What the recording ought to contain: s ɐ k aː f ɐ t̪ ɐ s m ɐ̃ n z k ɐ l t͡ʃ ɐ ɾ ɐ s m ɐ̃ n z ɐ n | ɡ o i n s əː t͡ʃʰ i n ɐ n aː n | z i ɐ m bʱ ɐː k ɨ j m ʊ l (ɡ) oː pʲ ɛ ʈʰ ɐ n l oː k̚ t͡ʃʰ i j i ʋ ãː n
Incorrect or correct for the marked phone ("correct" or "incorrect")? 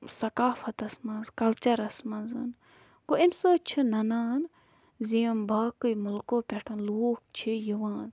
incorrect